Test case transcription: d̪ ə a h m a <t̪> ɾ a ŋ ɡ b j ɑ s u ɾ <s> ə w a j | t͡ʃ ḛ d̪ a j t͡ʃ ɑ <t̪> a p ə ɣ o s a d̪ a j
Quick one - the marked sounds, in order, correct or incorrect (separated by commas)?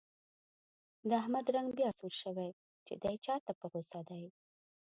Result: incorrect, incorrect, correct